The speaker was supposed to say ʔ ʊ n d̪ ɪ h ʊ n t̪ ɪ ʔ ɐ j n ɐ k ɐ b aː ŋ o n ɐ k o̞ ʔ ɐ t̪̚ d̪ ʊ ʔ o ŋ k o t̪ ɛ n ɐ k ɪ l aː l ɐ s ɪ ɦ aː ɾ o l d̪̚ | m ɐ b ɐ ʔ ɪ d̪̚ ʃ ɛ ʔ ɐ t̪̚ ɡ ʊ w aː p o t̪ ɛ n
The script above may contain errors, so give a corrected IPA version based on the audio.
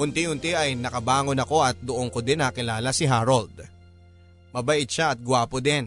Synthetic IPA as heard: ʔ ʊ n t̪ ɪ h ʊ n t̪ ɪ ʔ ɐ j n ɐ k ɐ b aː ŋ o n ɐ k o̞ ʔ ɐ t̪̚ d̪ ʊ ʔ o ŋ k o d̪ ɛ n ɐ k ɪ l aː l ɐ s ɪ ɦ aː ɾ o l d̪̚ | m ɐ b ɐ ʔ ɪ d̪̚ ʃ a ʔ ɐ t̪̚ ɡ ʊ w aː p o d̪ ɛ n